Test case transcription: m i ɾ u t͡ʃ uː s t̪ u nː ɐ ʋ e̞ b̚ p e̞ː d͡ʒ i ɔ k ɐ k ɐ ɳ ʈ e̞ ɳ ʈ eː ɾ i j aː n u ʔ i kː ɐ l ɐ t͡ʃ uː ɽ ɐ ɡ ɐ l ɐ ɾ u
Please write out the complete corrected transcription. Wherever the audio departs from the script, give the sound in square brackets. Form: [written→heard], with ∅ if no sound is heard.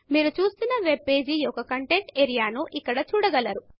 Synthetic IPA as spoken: m [i→iː] ɾ u t͡ʃ uː s t̪ u nː ɐ ʋ e̞ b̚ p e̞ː d͡ʒ i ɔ k ɐ k ɐ ɳ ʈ e̞ ɳ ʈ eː ɾ i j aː n u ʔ i kː ɐ [l→ɽ] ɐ t͡ʃ uː ɽ ɐ ɡ ɐ l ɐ ɾ u